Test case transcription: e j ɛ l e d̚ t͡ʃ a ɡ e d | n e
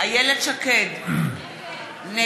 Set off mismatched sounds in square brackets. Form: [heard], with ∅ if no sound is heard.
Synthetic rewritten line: [a] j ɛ l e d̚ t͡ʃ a [k] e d | n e